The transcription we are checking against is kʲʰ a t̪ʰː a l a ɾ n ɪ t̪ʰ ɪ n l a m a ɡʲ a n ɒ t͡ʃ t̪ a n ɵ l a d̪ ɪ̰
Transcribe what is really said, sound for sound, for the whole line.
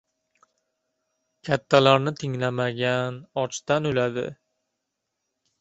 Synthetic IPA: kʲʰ a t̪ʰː a l a ɾ n ɪ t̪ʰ ɪ ŋ l a m a ɡʲ a n ɒ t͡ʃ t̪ a n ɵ l a d̪ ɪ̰

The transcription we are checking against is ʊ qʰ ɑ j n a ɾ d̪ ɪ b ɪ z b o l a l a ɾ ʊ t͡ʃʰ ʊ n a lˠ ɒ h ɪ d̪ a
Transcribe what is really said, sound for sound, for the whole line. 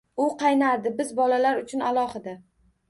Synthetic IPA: ʊ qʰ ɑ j n a ɾ d̪ ɪ b ɪ z b ɒ l a l a ɾ ʊ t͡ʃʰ ʊ n a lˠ ɒ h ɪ d̪ a

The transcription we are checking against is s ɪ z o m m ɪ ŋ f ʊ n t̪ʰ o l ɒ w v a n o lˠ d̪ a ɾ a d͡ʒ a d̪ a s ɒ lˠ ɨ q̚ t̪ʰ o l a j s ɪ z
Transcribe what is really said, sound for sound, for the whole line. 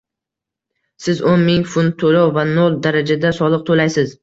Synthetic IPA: s ɪ z o n m ɪ ŋ f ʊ n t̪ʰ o l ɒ w v a n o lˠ d̪ a ɾ a d͡ʒ a d̪ a s ɒ lˠ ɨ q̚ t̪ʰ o l a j s ɪ z

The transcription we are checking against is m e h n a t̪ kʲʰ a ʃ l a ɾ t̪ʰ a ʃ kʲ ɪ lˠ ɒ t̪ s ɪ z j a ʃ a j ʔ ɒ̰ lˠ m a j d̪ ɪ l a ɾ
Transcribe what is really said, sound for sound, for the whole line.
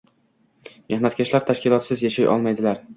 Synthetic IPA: m e h n a t̪ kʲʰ a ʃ l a ɾ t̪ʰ a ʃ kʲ ɪ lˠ ɒ t̪ s ɪ z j a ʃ a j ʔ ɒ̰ lˠ m a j d̪ ɪ l a ɾ

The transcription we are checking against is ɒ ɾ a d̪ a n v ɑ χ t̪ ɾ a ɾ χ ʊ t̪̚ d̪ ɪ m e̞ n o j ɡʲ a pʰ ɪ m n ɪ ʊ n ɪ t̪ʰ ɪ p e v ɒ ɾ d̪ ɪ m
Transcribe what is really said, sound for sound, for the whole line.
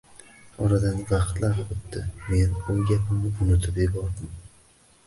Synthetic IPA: ɒ ɾ a d̪ a n v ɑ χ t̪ l a ɾ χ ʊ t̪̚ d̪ ɪ m e̞ n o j ɡʲ a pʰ ɪ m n ɪ ʊ n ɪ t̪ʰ ɪ p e b ɒ ɾ d̪ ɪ m

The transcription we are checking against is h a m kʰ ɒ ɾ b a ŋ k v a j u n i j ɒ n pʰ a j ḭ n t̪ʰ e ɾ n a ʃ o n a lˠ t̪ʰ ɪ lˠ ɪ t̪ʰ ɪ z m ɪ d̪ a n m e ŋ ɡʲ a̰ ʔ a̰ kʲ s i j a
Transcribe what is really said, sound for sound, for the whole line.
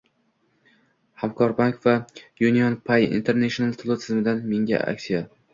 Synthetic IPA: h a m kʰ ɒ ɾ b a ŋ k v a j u n i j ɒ n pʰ a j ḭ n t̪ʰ e ɾ n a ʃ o n a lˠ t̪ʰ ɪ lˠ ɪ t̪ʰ ɪ z m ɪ d̪ a n m e ŋ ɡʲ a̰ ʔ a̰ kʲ s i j a

